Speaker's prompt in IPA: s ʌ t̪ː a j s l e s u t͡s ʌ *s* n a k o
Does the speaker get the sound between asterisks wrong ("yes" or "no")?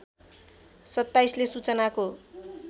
yes